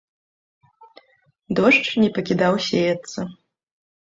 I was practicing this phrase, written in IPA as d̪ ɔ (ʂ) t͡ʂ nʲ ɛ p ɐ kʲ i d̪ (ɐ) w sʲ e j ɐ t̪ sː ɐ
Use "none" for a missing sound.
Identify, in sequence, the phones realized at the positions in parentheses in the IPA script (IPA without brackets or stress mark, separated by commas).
ʂ, a